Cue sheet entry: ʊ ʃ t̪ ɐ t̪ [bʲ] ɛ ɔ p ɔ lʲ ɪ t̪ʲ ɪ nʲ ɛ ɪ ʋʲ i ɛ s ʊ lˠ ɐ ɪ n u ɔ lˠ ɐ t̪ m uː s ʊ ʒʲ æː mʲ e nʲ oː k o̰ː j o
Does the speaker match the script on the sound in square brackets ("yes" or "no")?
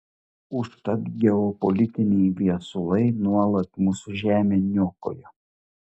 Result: no